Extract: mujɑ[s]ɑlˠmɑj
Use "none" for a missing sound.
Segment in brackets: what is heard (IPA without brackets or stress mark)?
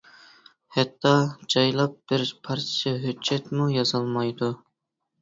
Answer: z